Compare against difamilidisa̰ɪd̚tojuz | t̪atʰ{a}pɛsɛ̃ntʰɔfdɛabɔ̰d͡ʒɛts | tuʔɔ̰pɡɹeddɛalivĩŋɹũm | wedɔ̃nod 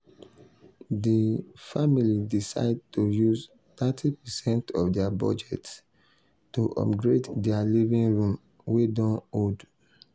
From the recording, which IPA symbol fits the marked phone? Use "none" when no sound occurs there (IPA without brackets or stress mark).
i